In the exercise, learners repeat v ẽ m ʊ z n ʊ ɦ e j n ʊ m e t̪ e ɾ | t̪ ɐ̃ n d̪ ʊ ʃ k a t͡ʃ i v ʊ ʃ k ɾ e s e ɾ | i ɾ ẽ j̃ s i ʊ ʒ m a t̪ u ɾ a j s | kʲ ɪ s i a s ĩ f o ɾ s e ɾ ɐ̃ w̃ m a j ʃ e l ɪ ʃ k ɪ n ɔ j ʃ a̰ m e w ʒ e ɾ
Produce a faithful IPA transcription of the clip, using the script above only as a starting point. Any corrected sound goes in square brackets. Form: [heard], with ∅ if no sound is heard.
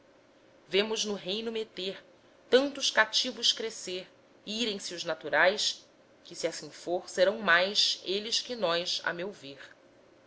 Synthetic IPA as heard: v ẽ m ʊ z n ʊ ɦ e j n ʊ m e t̪ e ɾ | t̪ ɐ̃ n [t̪] ʊ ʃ k a t͡ʃ i v ʊ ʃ k ɾ e s e ɾ | i ɾ ẽ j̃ s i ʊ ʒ [n] a t̪ u ɾ a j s | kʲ ɪ s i a s ĩ f o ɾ s e ɾ ɐ̃ w̃ m a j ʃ e l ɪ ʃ k ɪ n ɔ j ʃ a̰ m e w [v] e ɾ